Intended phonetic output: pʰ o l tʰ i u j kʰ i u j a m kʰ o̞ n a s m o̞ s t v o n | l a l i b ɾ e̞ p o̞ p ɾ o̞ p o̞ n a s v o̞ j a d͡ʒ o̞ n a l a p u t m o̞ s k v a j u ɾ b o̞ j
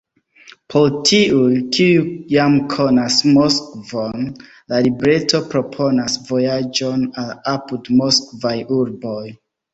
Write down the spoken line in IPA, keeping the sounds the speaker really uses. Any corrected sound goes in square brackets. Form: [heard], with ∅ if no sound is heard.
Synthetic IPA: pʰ o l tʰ i u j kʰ i u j a m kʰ o̞ n a s m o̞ s [k] v o n | l a l i b ɾ e̞ [t] o̞ p ɾ o̞ [pʰ] o̞ n a s v o̞ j a d͡ʒ o̞ n a l a p u [d] m o̞ s k v a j u ɾ b o̞ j